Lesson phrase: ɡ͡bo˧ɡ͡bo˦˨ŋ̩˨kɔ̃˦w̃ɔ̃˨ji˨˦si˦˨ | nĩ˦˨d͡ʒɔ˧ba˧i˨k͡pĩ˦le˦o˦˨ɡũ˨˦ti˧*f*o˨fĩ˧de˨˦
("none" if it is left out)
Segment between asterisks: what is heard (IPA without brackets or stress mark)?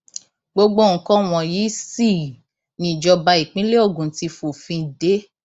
f